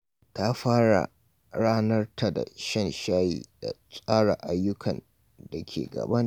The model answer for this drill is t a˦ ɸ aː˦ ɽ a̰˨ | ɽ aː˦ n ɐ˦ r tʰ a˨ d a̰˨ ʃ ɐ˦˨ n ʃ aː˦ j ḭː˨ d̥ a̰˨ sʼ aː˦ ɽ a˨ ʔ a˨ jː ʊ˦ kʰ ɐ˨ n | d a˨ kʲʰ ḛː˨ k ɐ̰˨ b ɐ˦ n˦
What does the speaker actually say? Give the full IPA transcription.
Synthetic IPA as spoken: t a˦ ɸ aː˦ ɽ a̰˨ | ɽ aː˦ n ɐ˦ r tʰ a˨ d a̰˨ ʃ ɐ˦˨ n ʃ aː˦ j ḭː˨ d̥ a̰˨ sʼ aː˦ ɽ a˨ ʔ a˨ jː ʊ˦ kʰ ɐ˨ n | d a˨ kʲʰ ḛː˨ ɡ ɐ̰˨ b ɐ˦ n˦